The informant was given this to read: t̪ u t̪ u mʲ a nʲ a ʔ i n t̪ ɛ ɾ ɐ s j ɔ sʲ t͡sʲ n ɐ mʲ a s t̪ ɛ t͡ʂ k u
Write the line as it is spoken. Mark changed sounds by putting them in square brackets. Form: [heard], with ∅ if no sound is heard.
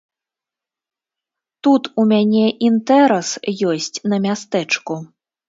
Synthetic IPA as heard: t̪ u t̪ u mʲ a nʲ [ɛ] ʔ i n t̪ ɛ ɾ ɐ s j ɔ sʲ t͡sʲ n ɐ mʲ a s t̪ ɛ t͡ʂ k u